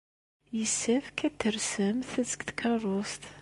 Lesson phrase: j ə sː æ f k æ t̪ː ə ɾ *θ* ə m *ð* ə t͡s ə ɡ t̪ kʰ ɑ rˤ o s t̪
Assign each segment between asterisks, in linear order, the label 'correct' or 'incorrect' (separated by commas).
incorrect, incorrect